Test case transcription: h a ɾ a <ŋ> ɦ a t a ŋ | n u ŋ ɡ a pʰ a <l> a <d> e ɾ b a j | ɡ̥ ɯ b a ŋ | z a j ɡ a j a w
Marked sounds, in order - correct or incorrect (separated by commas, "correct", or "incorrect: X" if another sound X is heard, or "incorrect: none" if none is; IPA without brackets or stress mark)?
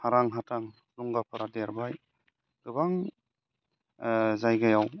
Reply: correct, incorrect: ɾ, correct